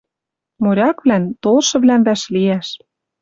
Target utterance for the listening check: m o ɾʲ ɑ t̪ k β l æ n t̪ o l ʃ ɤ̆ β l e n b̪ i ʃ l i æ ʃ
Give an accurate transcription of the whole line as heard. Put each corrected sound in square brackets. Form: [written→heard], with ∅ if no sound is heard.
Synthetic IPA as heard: m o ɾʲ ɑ [t̪→∅] k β l æ n t̪ o l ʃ ɤ̆ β l [e→æ] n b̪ [i→æ] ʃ l i æ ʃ

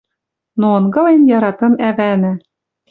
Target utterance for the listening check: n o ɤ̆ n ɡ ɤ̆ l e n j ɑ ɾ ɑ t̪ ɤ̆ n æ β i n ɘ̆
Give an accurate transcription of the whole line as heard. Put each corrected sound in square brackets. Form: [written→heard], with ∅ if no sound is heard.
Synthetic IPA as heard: n o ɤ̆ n ɡ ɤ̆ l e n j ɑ ɾ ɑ t̪ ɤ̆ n æ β [i→æ] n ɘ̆

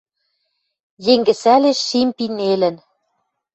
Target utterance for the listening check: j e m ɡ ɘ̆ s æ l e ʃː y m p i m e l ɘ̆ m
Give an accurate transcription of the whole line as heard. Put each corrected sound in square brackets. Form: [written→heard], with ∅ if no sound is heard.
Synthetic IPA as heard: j e [m→ŋ] ɡ ɘ̆ s æ l e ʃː [y→i] m p i [m→n] e l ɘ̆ [m→n]

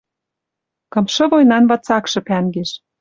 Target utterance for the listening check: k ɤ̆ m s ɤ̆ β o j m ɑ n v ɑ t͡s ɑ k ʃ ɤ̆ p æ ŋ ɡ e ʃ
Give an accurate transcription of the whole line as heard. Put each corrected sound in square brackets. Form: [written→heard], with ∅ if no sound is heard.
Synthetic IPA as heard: k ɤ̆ m [s→ʃ] ɤ̆ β o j [m→n] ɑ n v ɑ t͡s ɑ k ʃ ɤ̆ p æ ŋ ɡ e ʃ

